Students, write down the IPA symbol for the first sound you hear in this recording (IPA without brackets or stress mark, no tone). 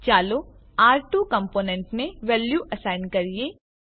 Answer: t͡ʃ